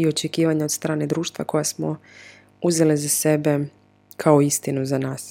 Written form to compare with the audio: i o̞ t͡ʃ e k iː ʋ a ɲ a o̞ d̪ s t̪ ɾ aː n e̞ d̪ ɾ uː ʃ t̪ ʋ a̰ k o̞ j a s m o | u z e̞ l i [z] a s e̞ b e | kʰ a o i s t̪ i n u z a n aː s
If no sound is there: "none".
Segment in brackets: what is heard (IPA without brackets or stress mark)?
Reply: z